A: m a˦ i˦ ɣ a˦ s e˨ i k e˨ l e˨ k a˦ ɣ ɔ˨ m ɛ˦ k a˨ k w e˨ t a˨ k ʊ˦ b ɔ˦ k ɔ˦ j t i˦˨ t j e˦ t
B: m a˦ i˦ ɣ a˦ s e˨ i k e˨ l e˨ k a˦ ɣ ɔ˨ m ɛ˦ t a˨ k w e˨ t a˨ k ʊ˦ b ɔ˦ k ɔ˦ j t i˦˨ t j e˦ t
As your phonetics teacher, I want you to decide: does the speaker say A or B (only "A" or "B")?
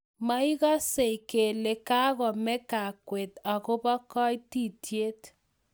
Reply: A